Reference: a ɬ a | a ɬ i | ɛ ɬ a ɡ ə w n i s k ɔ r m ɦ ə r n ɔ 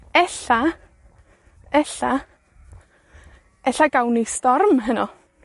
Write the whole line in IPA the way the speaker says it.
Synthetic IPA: ɛ ɬ a | ɛ ɬ a | ɛ ɬ a ɡ a w n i s t ɔ r m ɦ ə n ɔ